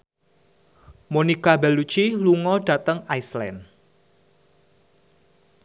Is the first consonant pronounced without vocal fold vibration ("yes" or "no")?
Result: no